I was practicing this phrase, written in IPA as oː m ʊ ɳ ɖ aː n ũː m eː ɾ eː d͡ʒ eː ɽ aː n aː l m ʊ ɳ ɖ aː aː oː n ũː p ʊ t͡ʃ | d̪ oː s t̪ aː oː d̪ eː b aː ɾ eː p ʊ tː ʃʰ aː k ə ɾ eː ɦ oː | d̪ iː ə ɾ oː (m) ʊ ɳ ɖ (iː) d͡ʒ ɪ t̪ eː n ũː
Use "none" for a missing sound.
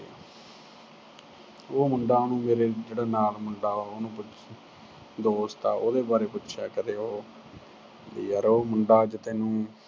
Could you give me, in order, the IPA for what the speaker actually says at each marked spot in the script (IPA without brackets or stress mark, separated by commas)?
m, aː